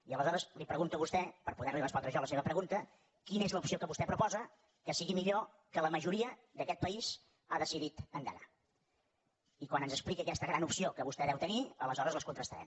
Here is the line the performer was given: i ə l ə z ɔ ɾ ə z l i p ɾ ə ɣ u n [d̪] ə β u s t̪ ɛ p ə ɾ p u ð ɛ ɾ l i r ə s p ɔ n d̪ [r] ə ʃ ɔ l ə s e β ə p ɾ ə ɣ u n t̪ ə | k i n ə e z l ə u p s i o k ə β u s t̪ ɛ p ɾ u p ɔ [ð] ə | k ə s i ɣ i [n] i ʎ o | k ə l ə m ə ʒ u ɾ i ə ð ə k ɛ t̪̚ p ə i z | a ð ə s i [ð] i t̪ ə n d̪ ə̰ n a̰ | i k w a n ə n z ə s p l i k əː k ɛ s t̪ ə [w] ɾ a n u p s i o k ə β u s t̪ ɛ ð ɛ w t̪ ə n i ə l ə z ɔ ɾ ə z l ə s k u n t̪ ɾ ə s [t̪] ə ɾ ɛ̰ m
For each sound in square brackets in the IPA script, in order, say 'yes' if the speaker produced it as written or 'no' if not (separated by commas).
no, no, no, no, yes, no, yes